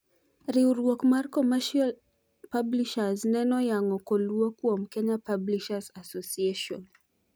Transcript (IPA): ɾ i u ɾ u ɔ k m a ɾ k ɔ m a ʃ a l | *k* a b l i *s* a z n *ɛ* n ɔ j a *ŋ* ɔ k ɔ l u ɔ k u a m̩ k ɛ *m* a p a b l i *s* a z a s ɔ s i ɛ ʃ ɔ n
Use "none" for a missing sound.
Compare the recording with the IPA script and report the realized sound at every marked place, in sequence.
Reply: p, ʃ, ɛ, ŋ, ɲ, ʃ

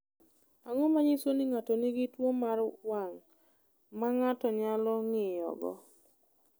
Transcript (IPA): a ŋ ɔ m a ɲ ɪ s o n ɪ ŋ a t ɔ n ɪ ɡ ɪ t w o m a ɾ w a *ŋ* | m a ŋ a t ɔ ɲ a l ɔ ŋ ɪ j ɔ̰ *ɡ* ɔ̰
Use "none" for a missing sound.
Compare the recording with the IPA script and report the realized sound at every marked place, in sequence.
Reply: ŋ, ɡ

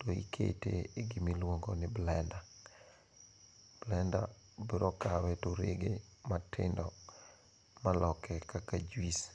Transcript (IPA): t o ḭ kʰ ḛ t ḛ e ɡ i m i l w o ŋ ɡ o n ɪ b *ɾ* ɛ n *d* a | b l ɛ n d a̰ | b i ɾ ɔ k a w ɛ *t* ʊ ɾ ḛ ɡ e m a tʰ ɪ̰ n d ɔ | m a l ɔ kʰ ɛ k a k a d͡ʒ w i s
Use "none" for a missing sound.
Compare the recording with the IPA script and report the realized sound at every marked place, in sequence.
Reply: l, d, t

